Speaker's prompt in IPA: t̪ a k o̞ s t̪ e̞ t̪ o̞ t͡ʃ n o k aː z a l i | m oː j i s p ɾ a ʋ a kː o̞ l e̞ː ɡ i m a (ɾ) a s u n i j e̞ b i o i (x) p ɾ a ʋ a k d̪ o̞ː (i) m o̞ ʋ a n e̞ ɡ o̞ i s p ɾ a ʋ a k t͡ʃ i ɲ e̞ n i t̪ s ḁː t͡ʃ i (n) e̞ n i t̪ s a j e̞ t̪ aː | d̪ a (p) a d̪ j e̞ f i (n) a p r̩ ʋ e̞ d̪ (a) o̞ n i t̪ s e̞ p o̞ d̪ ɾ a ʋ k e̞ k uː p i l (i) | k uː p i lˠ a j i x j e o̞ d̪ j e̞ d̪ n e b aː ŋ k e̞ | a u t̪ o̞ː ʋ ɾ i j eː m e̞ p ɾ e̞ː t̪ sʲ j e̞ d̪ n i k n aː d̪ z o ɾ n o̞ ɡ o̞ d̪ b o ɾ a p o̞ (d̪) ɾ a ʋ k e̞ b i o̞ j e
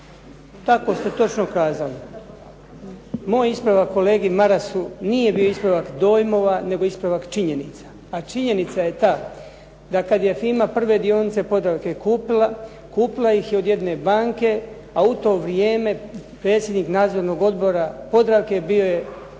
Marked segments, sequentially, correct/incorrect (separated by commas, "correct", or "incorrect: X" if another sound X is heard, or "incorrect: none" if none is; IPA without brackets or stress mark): correct, incorrect: s, incorrect: j, incorrect: ɲ, incorrect: k, incorrect: m, incorrect: i, incorrect: a, correct